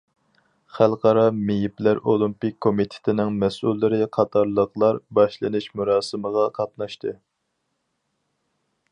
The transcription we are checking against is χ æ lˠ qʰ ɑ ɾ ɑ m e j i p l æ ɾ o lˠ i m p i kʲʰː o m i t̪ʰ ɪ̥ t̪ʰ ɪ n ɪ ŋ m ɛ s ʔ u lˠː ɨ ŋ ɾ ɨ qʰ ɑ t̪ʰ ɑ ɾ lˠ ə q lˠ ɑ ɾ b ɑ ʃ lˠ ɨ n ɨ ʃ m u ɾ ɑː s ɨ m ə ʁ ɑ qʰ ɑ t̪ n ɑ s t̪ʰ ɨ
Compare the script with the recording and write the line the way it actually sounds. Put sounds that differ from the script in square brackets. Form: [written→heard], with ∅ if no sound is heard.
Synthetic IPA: χ æ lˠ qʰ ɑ ɾ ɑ m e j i p l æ ɾ o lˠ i m p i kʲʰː o m i t̪ʰ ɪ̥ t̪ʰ ɪ n ɪ ŋ m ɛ s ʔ u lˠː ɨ [ŋ→∅] ɾ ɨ qʰ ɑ t̪ʰ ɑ ɾ lˠ ə q lˠ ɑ ɾ b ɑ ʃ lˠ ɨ n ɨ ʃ m u ɾ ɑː s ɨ m ə ʁ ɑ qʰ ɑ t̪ n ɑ [s→ʃ] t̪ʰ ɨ